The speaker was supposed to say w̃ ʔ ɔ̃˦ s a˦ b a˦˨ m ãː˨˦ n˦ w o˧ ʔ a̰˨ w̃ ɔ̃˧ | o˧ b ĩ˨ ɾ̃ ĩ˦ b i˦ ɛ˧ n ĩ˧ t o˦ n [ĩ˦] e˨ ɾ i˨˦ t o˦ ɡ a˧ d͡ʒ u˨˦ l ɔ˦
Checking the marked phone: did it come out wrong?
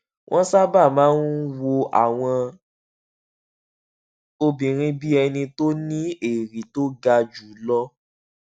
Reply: no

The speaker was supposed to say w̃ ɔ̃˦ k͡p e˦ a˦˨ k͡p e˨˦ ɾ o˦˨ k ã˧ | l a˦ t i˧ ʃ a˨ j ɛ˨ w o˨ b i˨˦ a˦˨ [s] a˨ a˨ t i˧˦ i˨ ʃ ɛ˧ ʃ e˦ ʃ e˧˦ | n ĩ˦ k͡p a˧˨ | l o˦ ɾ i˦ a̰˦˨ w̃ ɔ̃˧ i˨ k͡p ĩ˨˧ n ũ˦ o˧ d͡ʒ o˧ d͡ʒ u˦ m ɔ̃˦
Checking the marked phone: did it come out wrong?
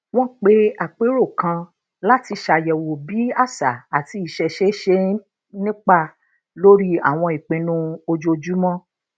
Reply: no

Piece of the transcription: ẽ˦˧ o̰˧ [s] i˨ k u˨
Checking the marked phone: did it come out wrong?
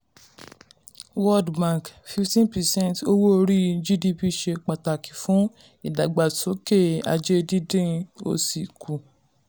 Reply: no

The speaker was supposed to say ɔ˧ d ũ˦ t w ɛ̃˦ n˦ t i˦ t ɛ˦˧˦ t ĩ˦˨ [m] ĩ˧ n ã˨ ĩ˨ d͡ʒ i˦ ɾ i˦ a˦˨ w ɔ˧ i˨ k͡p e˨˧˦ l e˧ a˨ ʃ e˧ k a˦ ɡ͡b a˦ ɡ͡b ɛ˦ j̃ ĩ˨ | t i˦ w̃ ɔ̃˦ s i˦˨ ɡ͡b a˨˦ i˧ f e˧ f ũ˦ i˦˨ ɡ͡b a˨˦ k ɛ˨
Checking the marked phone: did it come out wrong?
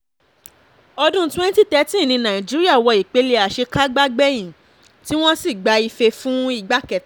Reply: yes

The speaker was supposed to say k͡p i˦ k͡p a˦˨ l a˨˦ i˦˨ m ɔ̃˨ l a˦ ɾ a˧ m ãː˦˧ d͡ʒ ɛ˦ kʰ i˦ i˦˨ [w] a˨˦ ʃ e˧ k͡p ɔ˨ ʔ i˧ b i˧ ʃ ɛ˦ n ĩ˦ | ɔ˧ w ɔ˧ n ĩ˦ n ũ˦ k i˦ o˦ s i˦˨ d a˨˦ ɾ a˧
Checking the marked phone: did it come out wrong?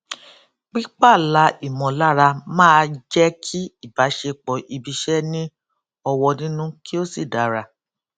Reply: yes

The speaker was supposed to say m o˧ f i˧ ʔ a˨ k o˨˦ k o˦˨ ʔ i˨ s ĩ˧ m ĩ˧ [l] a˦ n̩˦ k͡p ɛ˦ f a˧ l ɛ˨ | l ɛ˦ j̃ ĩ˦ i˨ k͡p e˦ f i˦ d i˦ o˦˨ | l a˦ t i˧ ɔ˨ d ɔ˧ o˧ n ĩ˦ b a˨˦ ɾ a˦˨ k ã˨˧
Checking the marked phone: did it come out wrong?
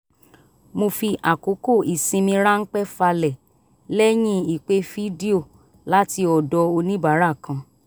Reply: yes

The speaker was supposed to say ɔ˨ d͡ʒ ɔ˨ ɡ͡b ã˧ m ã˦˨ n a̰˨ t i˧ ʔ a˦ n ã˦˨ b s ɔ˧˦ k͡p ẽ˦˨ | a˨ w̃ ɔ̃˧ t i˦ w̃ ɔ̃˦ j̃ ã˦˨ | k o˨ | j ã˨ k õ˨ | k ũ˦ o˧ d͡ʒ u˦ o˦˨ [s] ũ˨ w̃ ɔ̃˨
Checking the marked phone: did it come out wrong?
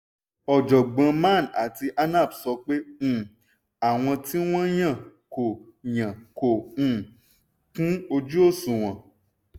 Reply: no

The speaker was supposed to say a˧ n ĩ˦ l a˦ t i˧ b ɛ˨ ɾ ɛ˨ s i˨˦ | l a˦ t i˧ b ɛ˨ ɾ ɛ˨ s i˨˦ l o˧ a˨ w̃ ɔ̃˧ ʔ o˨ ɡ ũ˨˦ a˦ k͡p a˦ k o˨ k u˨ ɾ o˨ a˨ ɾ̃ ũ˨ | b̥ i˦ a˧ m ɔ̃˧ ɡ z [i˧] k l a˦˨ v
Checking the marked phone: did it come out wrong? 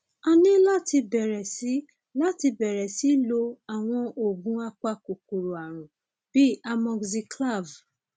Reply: no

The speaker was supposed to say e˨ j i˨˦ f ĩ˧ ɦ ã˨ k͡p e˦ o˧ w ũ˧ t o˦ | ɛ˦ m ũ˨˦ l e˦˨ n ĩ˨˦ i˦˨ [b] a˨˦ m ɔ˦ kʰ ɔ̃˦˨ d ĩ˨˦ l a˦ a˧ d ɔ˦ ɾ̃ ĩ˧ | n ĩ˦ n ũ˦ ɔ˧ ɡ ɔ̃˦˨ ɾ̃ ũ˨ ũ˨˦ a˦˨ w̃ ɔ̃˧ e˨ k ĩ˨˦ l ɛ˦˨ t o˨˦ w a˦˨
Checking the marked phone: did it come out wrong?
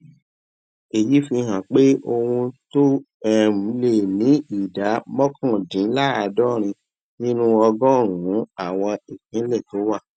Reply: yes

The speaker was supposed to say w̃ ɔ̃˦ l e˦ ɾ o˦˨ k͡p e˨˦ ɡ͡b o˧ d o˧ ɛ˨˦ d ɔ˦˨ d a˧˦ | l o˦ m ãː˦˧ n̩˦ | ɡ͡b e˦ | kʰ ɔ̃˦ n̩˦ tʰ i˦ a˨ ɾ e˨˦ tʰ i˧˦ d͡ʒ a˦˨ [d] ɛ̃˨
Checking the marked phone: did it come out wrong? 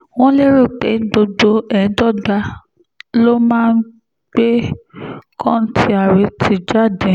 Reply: no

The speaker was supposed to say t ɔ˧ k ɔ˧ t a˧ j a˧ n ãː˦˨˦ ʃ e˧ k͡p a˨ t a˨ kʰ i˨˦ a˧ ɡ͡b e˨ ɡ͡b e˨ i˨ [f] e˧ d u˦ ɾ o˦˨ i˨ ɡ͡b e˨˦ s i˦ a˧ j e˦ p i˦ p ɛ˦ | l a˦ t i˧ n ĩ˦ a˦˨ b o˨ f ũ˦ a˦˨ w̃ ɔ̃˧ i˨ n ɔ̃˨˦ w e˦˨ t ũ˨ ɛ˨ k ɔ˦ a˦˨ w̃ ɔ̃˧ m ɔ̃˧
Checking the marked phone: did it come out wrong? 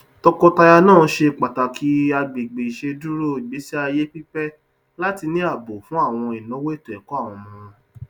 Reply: yes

